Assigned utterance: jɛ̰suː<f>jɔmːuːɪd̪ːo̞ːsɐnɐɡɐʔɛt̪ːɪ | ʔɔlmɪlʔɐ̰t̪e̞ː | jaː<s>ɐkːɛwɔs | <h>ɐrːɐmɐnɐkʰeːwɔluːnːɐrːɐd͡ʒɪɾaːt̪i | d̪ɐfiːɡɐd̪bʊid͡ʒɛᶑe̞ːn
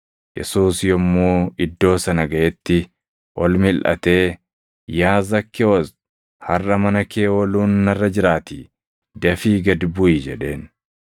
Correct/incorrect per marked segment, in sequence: incorrect, incorrect, correct

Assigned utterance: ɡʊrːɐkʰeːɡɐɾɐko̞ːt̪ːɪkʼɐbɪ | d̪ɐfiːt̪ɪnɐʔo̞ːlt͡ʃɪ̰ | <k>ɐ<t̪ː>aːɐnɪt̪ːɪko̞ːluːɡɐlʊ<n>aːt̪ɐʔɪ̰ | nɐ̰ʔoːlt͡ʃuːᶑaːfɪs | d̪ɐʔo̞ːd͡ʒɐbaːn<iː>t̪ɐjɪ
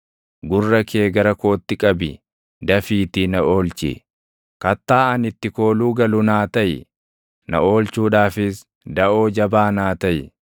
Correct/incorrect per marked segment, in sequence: correct, correct, correct, incorrect

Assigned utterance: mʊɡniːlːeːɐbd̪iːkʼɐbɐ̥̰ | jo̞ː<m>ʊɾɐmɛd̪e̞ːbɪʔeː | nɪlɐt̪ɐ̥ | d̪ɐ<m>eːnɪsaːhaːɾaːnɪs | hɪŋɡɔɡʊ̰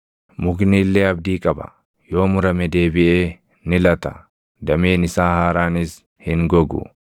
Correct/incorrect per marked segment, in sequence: correct, correct

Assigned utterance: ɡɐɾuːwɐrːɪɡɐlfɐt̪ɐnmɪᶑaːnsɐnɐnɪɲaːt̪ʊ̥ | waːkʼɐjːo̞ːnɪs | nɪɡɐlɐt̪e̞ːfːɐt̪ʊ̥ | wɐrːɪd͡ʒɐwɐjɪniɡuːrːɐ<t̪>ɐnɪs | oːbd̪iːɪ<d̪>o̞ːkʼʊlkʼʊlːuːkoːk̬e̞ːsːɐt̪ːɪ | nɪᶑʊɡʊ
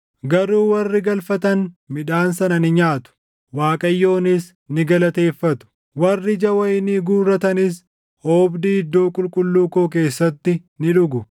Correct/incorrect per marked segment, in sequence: correct, incorrect

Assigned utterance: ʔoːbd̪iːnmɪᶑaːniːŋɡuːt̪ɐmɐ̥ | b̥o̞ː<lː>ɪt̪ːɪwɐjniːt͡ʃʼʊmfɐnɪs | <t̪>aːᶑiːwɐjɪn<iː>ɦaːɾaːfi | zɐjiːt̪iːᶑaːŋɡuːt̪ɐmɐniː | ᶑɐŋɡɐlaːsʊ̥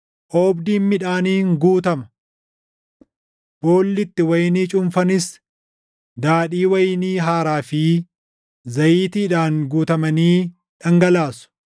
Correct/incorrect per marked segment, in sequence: correct, incorrect, correct

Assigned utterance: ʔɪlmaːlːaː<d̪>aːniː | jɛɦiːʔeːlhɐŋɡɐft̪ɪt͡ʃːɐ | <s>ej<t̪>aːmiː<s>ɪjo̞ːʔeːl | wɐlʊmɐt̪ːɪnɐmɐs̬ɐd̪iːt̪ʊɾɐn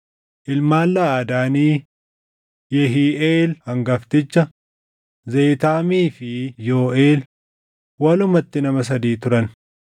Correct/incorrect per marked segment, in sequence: correct, incorrect, correct, incorrect

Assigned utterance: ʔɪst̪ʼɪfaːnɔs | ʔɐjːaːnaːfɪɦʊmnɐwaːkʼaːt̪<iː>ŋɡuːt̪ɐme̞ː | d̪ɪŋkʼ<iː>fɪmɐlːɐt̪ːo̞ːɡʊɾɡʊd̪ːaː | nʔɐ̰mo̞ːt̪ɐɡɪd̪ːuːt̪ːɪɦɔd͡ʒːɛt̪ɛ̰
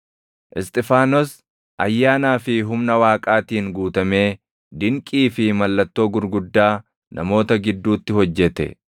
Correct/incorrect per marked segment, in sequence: correct, correct

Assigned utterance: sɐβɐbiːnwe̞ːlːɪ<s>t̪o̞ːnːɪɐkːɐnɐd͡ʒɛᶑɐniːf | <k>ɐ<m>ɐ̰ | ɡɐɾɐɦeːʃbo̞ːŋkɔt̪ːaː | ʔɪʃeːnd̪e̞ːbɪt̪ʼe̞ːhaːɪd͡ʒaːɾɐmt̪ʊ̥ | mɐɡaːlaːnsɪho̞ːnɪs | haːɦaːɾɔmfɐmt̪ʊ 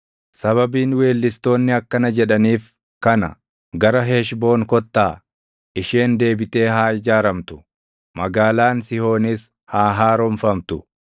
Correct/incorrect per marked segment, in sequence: correct, correct, incorrect

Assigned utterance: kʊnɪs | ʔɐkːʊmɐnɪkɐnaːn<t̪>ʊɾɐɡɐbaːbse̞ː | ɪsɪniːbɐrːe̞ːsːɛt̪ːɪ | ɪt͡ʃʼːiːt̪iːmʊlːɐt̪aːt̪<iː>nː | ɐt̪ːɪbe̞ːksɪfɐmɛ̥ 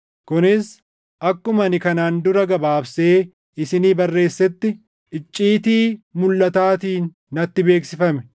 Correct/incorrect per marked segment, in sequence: incorrect, correct

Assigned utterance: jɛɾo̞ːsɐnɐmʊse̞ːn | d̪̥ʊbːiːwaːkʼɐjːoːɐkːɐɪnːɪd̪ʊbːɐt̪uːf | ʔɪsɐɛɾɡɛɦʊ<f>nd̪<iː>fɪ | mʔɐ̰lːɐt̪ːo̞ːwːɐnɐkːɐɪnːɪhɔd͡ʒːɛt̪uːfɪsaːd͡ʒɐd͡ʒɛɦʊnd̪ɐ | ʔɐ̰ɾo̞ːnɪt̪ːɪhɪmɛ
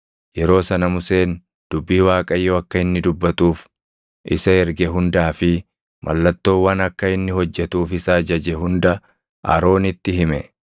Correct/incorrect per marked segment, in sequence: incorrect, incorrect

